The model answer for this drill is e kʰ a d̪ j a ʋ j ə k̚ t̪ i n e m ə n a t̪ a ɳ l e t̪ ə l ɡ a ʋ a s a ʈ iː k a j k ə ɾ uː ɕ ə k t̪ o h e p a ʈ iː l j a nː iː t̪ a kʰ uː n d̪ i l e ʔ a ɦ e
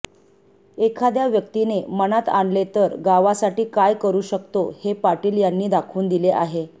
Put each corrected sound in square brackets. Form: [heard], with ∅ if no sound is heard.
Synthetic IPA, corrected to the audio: e kʰ a d̪ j a ʋ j ə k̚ t̪ i n e m ə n a t̪ a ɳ l e t̪ ə [ɾ] ɡ a ʋ a s a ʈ iː k a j k ə ɾ uː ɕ ə k t̪ o h e p a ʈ iː l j a nː iː [d̪] a kʰ uː n d̪ i l e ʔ a ɦ e